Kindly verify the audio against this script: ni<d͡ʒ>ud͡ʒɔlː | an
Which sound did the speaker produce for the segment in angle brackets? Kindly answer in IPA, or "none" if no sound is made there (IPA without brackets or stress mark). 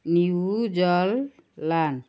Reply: none